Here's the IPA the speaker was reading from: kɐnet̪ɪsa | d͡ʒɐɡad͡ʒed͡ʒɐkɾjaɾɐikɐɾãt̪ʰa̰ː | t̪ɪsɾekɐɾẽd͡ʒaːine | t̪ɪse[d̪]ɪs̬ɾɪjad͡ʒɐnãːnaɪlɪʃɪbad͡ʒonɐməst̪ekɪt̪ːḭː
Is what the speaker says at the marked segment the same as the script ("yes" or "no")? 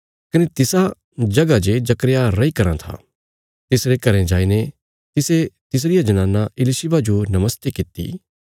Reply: no